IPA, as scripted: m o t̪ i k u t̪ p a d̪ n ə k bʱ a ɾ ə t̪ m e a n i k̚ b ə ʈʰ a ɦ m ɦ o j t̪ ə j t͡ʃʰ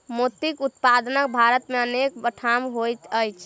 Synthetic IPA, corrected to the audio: m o t̪ i k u t̪ p a d̪ n ə k bʱ a ɾ ə t̪ m e ə n e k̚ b ə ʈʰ a m ɦ o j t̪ ə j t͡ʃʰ